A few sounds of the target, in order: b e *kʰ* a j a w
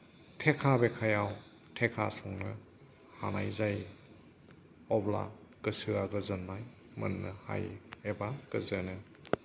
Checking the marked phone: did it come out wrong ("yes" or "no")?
no